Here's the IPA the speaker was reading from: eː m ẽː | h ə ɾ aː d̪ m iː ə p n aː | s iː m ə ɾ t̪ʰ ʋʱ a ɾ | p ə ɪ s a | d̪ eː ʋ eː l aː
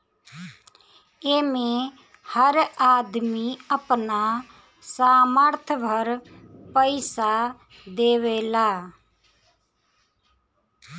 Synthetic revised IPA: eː m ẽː | h ə ɾ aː d̪ m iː ə p n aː | s aː m ə ɾ t̪ʰ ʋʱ ə ɾ | p ə ɪ s a | d̪ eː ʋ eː l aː